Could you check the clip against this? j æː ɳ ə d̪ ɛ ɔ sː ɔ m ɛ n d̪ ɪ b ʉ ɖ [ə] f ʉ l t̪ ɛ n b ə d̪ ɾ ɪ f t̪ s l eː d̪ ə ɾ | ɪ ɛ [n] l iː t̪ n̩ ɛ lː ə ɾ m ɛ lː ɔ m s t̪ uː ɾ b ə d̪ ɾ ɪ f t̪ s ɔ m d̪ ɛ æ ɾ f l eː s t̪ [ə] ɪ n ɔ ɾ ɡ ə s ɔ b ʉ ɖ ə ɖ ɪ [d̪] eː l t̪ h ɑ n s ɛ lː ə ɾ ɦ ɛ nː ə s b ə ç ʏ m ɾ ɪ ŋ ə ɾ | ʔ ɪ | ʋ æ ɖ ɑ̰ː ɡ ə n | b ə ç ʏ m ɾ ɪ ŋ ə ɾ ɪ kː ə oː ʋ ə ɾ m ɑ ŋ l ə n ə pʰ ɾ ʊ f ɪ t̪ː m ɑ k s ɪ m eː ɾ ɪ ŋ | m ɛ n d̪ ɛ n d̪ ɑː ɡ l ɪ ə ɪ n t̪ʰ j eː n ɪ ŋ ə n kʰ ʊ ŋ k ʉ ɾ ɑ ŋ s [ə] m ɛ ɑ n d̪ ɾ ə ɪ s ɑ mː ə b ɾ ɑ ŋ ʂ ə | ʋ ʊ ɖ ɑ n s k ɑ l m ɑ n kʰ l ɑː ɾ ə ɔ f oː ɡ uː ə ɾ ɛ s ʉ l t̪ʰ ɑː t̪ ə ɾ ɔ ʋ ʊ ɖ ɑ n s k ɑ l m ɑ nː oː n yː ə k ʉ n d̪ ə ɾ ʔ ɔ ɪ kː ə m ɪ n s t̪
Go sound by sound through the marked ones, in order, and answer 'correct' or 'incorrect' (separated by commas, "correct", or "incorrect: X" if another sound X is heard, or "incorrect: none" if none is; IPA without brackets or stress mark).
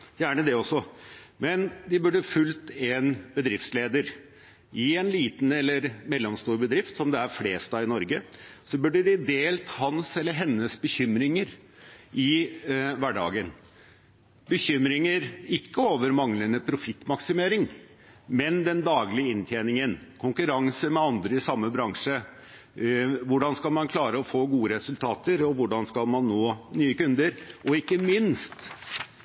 correct, correct, incorrect: ɑ, correct, correct